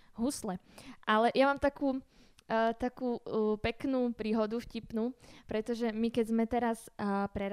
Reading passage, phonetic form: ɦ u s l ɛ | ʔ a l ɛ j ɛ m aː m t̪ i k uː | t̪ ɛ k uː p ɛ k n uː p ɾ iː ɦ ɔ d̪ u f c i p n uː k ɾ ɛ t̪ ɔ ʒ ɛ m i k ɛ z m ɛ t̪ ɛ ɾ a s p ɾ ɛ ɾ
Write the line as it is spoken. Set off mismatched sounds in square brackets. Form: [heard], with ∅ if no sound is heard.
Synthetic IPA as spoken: ɦ u s l ɛ | ʔ a l ɛ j [a] m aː m t̪ [a] k uː | t̪ [a] k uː p ɛ k n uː p ɾ iː ɦ ɔ d̪ u f c i p n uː [p] ɾ ɛ t̪ ɔ ʒ ɛ m i k ɛ z m ɛ t̪ ɛ ɾ a s p ɾ ɛ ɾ